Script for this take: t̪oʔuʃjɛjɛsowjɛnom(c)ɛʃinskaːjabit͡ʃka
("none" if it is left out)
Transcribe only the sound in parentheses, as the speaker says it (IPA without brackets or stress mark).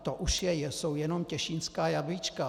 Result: c